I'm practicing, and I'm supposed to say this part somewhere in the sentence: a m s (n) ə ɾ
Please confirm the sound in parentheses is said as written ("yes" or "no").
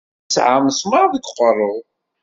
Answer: no